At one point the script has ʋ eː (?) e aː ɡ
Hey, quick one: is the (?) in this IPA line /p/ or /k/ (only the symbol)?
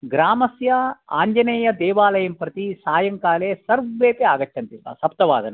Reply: p